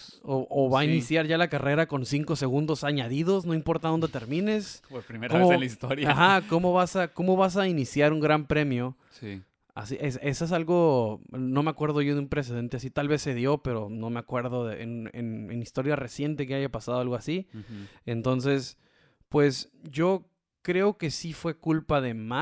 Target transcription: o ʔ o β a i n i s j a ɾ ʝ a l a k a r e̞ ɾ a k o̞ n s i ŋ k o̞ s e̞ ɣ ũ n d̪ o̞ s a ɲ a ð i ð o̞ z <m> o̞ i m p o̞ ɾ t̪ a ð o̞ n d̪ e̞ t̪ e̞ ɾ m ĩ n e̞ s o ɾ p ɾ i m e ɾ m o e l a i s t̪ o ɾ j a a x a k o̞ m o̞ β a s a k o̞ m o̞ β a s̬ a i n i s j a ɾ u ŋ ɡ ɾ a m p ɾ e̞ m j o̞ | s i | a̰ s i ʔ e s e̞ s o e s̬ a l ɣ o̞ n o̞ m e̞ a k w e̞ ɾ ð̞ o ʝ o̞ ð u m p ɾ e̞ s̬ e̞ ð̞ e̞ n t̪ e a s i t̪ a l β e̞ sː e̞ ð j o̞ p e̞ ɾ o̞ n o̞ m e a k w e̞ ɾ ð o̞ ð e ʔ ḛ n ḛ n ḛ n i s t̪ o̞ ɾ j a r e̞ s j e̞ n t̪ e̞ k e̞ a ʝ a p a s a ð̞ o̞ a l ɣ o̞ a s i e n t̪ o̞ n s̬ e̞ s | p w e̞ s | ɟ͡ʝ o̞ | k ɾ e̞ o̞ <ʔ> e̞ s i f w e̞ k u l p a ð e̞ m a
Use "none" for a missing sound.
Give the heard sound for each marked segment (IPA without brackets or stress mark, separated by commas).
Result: n, k